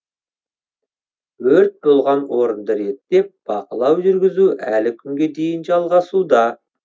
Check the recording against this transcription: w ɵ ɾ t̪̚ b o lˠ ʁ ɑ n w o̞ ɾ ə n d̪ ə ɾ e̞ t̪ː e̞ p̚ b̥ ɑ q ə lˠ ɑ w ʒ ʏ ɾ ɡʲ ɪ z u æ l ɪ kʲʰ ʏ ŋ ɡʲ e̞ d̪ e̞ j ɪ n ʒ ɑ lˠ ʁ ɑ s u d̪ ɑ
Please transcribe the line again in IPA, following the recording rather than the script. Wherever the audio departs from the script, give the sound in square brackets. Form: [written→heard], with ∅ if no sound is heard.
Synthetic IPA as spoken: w ɵ ɾ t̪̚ b o lˠ ʁ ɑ n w o̞ ɾ ə n d̪ ə ɾ e̞ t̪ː e̞ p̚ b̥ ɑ q ə lˠ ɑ w ʒ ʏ ɾ ɡʲ ɪ z u æ l ɪ kʲʰ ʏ ŋ ɡʲ e̞ d̪ e̞ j ɪ n ʒ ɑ lˠ ʁ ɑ s u d̪ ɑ